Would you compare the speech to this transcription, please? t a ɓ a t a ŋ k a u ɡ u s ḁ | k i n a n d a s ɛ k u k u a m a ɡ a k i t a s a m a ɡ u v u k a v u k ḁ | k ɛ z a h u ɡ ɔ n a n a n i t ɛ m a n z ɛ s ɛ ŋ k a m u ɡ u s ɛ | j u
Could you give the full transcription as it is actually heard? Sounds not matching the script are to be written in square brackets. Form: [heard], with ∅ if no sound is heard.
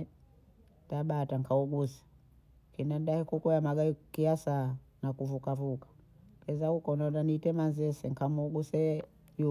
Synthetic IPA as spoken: t a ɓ a t a ŋ k a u ɡ u s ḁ | k i n a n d a [h] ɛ k u k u a m a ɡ a k i [∅] a s a [n] a [k] u v u k a v u k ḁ | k ɛ z a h u [k] ɔ n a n a n i t ɛ m a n z ɛ s ɛ ŋ k a m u ɡ u s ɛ | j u